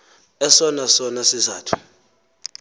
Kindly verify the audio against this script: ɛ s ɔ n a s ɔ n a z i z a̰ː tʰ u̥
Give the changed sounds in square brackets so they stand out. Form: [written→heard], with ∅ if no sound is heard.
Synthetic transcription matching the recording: ɛ s ɔ n a s ɔ n a [z→s] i z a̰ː tʰ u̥